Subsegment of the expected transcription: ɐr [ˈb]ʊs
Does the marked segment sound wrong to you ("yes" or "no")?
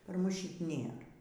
yes